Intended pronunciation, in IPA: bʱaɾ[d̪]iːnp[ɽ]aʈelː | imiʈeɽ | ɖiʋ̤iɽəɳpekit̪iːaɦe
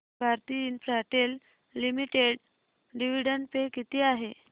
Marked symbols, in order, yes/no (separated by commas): no, no